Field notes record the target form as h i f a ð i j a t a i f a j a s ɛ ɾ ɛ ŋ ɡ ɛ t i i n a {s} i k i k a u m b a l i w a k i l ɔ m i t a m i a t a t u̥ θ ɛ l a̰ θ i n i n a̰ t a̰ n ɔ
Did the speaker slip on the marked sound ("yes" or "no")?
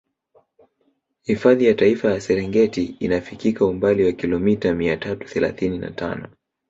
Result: yes